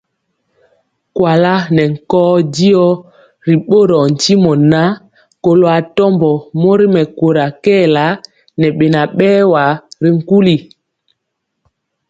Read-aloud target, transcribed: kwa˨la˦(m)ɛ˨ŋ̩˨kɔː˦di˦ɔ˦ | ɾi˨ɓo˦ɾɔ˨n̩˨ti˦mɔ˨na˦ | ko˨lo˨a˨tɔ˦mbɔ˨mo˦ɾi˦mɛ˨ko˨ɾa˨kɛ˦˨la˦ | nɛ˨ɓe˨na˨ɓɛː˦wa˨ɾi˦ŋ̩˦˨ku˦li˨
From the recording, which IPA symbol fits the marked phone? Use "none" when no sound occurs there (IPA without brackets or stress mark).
n